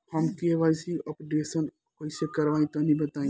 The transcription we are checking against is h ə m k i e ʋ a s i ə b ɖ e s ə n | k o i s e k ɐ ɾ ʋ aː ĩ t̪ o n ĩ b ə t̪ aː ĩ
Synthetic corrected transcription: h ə m k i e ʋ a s i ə p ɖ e s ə n | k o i s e k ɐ ɾ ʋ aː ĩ t̪ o n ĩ b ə t̪ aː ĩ